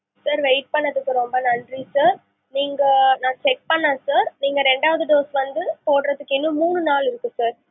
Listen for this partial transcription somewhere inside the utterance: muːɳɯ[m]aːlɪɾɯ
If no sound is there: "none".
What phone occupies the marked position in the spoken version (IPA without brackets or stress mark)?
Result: n